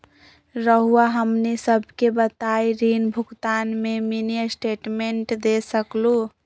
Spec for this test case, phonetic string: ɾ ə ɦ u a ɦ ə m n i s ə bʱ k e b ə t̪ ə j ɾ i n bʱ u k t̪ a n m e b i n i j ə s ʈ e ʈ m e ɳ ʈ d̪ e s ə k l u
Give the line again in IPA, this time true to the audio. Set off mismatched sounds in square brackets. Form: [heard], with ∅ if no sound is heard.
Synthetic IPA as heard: ɾ ə ɦ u a ɦ ə m n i s ə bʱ k e b ə t̪ [a] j ɾ i n bʱ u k t̪ a n m e [m] i n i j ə s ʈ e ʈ m e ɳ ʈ d̪ e s ə k l u